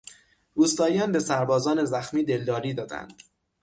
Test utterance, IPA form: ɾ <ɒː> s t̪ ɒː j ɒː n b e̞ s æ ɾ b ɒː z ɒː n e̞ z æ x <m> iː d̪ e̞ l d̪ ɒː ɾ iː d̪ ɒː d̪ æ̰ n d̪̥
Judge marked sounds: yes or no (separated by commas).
no, yes